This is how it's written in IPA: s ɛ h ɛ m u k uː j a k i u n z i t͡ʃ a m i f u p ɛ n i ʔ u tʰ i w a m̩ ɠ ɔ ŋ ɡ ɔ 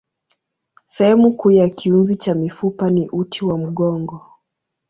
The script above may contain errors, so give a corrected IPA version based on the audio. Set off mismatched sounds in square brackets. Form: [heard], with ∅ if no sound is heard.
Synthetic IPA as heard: s ɛ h ɛ m u k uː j a k i u n z i t͡ʃ a m i f u p [a] n i ʔ u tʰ i w a m̩ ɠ ɔ ŋ ɡ ɔ

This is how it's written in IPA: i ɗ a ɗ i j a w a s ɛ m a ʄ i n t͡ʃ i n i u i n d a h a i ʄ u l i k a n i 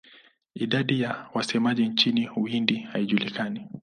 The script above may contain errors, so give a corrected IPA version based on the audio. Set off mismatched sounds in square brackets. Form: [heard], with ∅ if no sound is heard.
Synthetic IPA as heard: i ɗ a ɗ i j a w a s ɛ m a ʄ i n t͡ʃ i n i u i n d [i] h a i ʄ u l i k a n i

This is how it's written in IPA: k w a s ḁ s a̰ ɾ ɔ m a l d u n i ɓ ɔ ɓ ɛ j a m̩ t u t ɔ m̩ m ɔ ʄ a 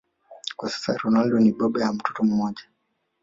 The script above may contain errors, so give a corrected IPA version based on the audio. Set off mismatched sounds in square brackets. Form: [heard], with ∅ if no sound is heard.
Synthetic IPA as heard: k w a s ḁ s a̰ ɾ ɔ [n] a l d [ɔ] n i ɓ ɔ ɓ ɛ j a m̩ t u t ɔ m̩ m ɔ ʄ a

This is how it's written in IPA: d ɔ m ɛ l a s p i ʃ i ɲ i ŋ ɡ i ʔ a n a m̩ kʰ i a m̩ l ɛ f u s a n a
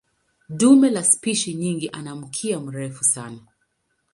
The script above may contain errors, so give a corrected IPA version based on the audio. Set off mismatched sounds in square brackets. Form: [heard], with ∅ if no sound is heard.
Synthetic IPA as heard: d [u] m ɛ l a s p i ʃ i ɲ i ŋ ɡ i ʔ a n a m̩ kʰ i a m̩ [ɾ] ɛ f u s a n a

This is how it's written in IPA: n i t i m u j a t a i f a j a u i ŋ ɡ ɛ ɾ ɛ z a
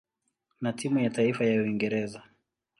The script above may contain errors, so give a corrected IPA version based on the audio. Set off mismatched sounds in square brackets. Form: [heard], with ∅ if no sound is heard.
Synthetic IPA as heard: n [a] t i m u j a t a i f a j a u i ŋ ɡ ɛ ɾ ɛ z a

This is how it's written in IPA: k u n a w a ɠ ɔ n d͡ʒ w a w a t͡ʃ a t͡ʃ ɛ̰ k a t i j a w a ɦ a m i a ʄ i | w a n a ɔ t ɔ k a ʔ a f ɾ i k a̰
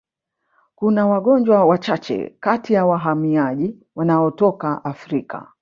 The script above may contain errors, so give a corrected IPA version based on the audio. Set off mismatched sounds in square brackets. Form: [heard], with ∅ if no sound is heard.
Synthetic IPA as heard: k u n a w a ɠ ɔ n d͡ʒ w a w a t͡ʃ a t͡ʃ ɛ̰ k a t i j a w a ɦ a m i a ʄ i | w a n a ɔ t ɔ k a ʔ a f ɾ i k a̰

